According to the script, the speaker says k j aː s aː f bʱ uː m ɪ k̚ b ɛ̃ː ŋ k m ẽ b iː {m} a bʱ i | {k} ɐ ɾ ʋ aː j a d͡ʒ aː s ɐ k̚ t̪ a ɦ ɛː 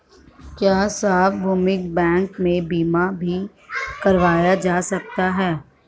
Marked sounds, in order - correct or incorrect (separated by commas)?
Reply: correct, correct